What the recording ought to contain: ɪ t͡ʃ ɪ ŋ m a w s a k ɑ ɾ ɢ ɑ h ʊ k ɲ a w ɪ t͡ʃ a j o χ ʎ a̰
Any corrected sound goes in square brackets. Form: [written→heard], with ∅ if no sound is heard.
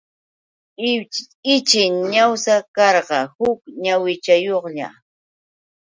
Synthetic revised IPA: ɪ t͡ʃ ɪ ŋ [m→ɲ] a w s a k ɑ ɾ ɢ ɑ h ʊ k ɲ a w ɪ t͡ʃ a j o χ ʎ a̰